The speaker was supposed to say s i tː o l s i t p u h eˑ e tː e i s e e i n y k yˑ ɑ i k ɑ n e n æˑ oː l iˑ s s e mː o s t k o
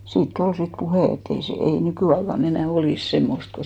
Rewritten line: s iː tː o l s i t p u h eˑ e tː e i s e e i n y k yˑ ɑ i k ɑ n e n æˑ o l iˑ s s e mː o s t k o